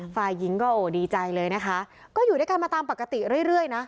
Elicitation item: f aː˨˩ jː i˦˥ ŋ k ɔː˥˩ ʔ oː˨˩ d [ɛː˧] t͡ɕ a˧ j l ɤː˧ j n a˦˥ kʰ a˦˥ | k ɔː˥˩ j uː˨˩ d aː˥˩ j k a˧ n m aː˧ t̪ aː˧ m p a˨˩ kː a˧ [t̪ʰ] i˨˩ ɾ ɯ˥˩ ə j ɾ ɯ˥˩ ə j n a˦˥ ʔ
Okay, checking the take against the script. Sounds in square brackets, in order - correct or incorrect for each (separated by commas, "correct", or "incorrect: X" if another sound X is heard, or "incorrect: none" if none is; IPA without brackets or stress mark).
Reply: incorrect: iː˧, incorrect: t̪